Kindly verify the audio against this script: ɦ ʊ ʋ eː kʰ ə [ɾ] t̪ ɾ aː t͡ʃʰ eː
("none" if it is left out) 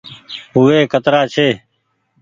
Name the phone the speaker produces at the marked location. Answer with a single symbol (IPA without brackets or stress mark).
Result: none